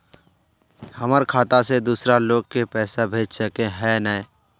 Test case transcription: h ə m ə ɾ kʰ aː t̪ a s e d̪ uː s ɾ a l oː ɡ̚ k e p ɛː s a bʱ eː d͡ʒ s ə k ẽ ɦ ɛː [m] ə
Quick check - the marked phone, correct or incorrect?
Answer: incorrect: n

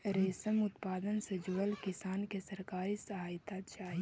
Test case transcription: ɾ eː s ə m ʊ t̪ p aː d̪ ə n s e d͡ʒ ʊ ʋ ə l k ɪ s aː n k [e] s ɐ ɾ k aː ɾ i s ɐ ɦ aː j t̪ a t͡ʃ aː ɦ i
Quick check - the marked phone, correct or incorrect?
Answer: correct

